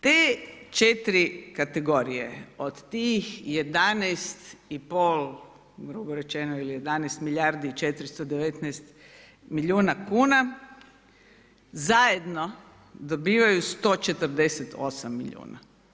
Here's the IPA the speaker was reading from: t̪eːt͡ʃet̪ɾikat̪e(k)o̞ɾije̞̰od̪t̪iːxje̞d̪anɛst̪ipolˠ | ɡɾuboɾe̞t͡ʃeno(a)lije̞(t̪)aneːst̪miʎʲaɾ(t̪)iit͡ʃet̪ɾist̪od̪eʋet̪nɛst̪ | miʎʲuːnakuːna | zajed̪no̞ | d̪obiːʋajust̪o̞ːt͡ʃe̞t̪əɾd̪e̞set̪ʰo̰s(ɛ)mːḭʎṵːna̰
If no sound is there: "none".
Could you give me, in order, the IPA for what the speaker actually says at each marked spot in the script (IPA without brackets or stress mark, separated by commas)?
ɡ, i, d̪, d̪, a